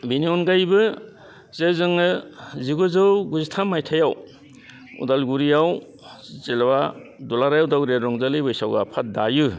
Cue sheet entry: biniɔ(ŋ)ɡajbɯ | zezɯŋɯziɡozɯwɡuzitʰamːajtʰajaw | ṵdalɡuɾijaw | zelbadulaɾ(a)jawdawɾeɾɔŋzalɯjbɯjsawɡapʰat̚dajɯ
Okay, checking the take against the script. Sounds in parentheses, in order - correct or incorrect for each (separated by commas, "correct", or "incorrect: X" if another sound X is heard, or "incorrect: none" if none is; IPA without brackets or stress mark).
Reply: incorrect: n, correct